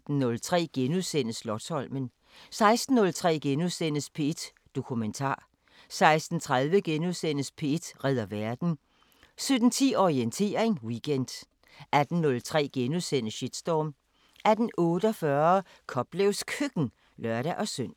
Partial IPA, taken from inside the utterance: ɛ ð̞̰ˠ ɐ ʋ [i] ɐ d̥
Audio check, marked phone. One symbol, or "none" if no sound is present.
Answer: æ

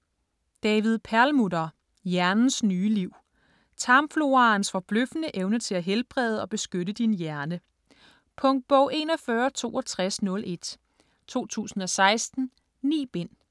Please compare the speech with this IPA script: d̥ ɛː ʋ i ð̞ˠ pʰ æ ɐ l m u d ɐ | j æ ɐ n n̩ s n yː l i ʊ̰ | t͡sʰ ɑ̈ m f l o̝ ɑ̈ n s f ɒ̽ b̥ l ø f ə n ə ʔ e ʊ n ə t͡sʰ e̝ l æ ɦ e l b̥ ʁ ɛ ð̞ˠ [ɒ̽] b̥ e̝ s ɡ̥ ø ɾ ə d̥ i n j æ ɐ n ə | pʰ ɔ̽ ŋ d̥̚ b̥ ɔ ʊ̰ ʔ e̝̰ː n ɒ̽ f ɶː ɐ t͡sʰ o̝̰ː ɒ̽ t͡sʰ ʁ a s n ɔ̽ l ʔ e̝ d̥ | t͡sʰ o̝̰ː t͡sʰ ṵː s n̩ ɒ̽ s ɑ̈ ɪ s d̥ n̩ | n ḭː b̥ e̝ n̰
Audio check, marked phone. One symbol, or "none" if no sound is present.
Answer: ɒ̽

